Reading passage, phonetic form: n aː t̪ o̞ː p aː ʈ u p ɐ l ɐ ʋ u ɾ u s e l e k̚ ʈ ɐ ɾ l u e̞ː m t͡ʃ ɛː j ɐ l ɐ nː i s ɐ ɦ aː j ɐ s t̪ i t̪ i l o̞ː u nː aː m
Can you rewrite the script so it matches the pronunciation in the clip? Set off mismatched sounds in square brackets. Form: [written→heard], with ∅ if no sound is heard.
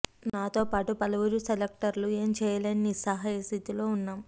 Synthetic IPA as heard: n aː t̪ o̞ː p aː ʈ u p ɐ l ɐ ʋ u ɾ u s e l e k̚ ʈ ɐ ɾ l u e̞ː m t͡ʃ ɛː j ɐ l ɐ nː i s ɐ ɦ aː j ɐ s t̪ i t̪ i l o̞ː u nː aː m